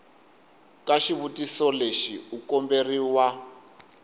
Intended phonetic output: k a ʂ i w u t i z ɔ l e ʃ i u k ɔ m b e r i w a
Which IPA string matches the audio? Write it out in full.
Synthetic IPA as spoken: k a ʃ i β u t i s ɔ l e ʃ i u k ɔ m b e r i w a

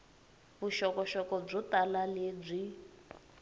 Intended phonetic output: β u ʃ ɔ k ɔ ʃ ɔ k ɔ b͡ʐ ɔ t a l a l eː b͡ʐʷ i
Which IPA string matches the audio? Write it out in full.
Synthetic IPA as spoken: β u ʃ ɔ k ɔ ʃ ɔ k ɔ b͡ʐ ɔ t a l a l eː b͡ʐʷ i

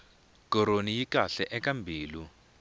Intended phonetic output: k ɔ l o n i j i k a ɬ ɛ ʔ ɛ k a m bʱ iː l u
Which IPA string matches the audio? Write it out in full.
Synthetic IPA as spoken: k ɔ ɾ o n i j i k a ɬ ɛ ʔ ɛ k a m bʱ iː l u

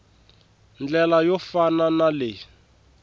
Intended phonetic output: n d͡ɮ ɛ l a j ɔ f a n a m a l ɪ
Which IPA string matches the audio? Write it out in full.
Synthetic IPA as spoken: n d͡ɮ ɛ l a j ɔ f a n a n a l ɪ

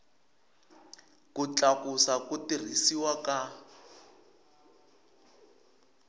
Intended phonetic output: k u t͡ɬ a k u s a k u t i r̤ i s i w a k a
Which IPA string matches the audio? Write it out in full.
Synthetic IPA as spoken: k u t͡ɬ a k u s a k u t i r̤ i s i w a k a

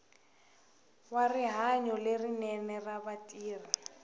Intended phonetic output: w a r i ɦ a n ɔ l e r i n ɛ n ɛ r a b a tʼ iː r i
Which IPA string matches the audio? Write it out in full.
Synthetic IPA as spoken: w a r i ɦ a ɲ ɔ l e r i n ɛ n ɛ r a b a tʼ iː r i

